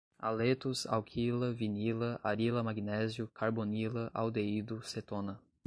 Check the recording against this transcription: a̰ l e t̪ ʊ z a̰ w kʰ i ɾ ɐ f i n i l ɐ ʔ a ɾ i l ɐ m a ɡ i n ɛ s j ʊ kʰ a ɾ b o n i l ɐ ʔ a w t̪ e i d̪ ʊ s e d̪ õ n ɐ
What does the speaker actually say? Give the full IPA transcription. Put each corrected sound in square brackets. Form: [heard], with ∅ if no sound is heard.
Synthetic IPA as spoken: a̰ l e t̪ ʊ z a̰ w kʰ i [l] ɐ [v] i n i l ɐ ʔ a ɾ i l ɐ m a ɡ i n ɛ [z] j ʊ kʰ a ɾ b o n i l ɐ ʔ a w [d̪] e i d̪ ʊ s e [t̪] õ n ɐ